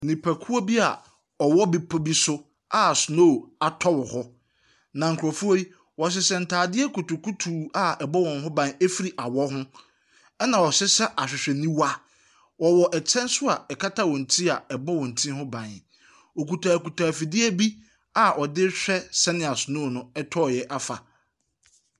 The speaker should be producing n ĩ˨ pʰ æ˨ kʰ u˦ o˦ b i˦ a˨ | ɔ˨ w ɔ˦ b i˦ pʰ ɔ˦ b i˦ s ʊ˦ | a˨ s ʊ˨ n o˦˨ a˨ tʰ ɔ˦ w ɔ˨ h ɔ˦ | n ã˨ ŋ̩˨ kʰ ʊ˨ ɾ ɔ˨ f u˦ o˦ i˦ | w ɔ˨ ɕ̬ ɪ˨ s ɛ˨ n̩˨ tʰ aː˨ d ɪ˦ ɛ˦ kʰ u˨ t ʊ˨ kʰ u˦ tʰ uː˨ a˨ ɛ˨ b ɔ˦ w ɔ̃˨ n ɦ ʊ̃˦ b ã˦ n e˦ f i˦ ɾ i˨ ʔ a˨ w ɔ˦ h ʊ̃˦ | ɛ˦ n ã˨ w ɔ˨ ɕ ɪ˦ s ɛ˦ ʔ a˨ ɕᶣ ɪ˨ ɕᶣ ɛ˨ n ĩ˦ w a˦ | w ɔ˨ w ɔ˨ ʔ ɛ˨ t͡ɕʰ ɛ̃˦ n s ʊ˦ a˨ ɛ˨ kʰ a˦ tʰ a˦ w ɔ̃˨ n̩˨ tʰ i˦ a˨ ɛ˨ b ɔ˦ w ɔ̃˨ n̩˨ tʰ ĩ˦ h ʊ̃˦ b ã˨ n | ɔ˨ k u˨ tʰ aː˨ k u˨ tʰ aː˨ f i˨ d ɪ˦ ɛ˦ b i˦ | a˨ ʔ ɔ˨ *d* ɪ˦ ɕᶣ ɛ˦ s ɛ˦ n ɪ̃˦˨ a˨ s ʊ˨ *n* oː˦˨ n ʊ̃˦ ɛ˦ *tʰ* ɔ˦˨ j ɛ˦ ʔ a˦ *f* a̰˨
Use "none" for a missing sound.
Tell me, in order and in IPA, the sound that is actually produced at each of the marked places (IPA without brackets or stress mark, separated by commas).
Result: d, n, tʰ, f